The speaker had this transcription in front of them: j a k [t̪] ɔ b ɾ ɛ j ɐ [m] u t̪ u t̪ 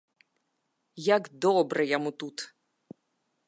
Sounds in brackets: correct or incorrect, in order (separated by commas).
incorrect, correct